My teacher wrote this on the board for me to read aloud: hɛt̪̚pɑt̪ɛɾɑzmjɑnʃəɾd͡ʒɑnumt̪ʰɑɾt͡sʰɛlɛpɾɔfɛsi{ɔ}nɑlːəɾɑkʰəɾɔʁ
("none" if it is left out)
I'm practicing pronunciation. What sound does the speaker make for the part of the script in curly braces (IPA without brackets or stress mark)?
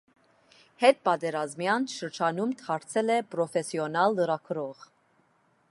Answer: ɔ